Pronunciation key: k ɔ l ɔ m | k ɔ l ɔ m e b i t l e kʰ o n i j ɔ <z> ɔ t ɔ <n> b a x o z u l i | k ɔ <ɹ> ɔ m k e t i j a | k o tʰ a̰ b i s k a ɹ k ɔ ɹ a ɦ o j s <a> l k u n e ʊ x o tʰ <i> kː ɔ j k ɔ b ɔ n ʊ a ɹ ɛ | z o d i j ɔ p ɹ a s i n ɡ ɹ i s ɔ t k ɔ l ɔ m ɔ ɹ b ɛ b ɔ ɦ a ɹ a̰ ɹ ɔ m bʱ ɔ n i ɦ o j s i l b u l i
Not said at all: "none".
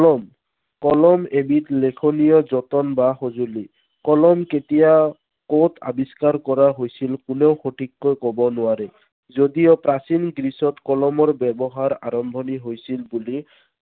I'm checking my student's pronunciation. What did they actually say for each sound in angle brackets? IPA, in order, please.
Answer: z, n, l, i, i

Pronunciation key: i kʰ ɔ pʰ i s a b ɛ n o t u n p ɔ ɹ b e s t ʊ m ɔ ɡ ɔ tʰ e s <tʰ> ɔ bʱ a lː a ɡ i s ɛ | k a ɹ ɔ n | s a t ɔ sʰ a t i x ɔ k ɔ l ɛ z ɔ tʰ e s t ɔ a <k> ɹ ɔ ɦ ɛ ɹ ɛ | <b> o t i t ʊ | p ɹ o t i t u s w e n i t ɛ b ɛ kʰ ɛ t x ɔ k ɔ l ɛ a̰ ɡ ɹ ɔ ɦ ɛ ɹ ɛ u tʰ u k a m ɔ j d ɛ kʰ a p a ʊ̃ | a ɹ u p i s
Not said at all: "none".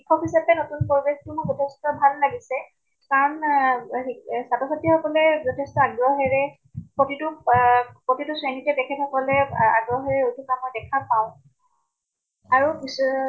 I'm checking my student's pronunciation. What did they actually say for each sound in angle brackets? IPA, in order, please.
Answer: t, ɡ, p

